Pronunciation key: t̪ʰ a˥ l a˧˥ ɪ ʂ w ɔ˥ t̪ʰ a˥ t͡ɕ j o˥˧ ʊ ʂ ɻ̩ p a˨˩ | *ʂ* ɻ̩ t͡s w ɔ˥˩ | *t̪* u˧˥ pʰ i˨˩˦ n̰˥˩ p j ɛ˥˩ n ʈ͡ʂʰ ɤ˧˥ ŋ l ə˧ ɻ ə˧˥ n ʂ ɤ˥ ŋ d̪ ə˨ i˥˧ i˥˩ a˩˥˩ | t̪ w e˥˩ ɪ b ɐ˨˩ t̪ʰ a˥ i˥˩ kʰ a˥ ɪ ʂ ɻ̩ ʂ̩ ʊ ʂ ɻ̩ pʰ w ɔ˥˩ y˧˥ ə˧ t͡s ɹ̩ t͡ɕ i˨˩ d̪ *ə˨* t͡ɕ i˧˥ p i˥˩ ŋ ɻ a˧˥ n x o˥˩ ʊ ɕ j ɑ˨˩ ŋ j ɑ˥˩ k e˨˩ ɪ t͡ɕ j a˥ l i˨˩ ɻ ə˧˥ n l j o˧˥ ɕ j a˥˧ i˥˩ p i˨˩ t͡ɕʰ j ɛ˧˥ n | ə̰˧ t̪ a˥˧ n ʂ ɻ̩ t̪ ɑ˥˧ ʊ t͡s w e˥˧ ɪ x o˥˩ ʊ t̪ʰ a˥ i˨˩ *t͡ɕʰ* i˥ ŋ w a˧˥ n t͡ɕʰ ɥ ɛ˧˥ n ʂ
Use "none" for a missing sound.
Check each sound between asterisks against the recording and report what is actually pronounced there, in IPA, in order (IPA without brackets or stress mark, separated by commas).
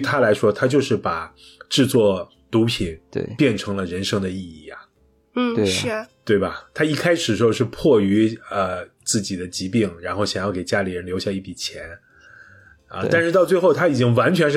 ʈ͡ʂ, t̪, ə˦, t͡ɕ